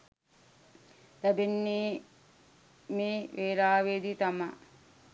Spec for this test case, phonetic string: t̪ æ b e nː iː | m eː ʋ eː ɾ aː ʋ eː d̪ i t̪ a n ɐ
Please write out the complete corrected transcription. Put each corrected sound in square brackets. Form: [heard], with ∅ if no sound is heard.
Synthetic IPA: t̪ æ b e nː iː | m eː ʋ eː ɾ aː ʋ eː d̪ i t̪ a [m] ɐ